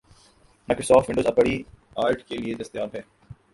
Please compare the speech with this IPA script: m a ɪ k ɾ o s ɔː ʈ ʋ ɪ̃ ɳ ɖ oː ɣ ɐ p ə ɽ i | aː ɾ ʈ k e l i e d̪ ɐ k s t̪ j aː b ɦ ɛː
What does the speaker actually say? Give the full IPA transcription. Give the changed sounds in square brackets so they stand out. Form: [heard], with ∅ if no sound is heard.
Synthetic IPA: m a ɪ k ɾ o s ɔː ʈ ʋ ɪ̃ ɳ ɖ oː [z] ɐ p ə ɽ i | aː ɾ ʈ k e l i e d̪ ɐ [∅] s t̪ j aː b ɦ ɛː